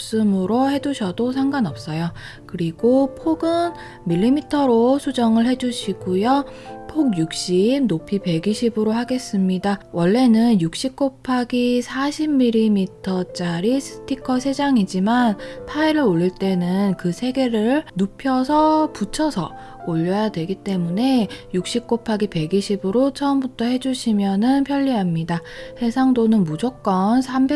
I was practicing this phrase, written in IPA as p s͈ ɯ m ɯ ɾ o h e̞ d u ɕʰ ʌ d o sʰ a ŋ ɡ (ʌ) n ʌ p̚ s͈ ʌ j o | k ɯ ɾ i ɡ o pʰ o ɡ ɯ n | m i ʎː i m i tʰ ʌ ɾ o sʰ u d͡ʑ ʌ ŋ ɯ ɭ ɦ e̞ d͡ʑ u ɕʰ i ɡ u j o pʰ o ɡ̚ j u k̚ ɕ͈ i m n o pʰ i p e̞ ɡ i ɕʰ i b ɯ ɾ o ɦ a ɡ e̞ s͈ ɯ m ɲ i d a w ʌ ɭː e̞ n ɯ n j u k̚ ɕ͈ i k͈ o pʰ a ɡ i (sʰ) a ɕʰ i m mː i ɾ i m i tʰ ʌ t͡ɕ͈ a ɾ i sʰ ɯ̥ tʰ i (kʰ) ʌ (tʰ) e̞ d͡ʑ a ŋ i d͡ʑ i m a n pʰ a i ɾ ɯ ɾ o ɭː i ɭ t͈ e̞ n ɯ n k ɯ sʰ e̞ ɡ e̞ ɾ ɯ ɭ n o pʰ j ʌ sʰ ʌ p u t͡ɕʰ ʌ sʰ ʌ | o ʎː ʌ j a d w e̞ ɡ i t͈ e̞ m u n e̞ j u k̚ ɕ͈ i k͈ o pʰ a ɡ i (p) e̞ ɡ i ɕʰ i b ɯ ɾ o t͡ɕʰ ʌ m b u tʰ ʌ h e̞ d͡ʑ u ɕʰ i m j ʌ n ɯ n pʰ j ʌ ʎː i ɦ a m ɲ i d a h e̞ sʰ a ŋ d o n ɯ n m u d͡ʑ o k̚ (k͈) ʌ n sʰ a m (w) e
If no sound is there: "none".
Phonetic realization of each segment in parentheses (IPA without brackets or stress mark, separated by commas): a, sʰ, kʰ, sʰ, p, k͈, b